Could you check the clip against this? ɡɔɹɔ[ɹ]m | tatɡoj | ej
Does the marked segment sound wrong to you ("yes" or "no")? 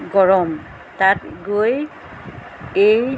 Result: yes